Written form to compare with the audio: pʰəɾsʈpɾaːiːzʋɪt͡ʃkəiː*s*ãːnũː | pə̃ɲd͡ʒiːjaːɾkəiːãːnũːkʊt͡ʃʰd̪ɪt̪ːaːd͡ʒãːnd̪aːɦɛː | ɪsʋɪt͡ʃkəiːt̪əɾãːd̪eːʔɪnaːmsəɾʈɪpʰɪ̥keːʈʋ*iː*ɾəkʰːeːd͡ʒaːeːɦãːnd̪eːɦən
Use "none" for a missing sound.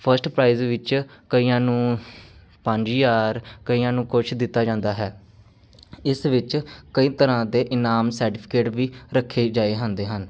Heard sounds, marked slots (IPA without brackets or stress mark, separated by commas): none, iː